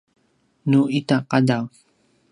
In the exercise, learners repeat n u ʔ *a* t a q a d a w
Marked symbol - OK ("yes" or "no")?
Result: no